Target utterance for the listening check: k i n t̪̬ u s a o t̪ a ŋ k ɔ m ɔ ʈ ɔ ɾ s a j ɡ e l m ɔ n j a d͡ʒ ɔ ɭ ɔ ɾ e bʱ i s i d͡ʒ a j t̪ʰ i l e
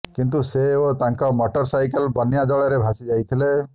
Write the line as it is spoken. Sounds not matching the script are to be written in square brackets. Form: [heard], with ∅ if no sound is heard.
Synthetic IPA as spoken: k i n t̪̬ u s [e] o t̪ a ŋ k ɔ m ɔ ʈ ɔ ɾ s a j [k] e l [b] ɔ n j a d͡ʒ ɔ ɭ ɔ ɾ e bʱ [a] s i d͡ʒ a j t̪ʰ i l e